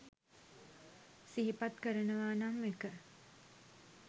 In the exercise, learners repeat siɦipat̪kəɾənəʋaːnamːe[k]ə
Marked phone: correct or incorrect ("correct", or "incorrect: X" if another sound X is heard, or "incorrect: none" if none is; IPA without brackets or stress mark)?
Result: correct